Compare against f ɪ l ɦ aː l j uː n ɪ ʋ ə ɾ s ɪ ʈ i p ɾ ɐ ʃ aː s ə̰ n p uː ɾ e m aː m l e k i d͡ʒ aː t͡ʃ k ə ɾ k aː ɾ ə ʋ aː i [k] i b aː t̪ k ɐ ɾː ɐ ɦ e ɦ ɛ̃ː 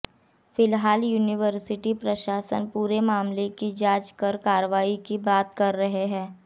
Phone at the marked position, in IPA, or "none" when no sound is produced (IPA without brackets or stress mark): k